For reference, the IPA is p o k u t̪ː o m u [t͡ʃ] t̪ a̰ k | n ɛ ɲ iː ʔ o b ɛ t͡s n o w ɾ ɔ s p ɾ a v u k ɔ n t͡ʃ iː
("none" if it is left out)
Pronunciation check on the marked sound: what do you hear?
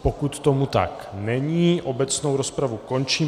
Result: none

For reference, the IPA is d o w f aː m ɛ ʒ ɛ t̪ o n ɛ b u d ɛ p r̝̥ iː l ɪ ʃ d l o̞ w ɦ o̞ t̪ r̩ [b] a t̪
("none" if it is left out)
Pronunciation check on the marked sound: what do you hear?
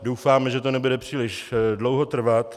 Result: v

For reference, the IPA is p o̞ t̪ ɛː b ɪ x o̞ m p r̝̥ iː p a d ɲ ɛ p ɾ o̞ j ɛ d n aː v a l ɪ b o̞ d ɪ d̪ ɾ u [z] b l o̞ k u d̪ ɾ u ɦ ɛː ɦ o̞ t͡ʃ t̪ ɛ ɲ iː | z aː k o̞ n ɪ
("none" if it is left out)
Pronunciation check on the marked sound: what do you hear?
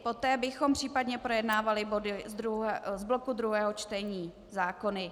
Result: z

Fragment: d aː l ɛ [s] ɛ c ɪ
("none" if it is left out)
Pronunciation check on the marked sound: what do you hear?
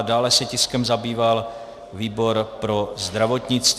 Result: s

